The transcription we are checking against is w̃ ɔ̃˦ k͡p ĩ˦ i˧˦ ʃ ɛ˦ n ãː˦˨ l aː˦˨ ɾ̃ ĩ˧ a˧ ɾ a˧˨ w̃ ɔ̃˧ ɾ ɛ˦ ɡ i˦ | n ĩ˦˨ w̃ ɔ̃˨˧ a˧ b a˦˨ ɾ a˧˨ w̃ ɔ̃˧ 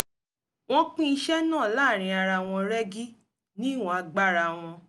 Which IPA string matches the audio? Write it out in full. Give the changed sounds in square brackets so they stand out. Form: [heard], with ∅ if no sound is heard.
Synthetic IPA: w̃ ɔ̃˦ k͡p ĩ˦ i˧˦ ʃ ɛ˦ n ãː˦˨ l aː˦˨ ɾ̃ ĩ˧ a˧ ɾ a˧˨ w̃ ɔ̃˧ ɾ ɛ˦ ɡ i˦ | n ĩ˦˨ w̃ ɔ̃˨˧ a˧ [ɡ͡b] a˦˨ ɾ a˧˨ w̃ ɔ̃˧